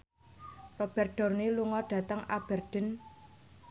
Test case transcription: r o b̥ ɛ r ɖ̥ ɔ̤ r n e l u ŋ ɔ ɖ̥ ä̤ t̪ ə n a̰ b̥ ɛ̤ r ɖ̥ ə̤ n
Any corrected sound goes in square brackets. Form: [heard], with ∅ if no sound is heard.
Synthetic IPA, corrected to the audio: r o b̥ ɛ r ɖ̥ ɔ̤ r n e l u ŋ ɔ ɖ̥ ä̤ t̪ ə [ŋ] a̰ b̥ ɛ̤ r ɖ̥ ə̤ n